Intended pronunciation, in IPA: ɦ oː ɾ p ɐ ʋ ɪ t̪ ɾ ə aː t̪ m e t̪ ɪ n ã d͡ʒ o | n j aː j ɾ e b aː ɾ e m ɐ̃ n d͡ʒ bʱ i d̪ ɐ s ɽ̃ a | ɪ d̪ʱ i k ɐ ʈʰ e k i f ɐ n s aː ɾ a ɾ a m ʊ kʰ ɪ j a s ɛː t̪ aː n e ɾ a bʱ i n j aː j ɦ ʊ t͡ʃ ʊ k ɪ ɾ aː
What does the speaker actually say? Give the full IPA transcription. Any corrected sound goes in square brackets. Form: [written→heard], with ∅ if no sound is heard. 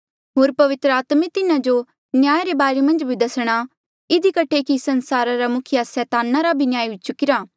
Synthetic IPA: ɦ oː ɾ p ɐ ʋ ɪ t̪ ɾ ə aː t̪ m e t̪ ɪ n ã d͡ʒ o | n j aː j ɾ e b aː ɾ e m ɐ̃ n d͡ʒ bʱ i d̪ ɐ s ɽ̃ a | ɪ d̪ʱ i k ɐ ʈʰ e k i [f→s] ɐ n s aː ɾ a ɾ a m ʊ kʰ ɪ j a s ɛː t̪ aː n [e→a] ɾ a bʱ i n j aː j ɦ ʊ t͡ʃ ʊ k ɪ ɾ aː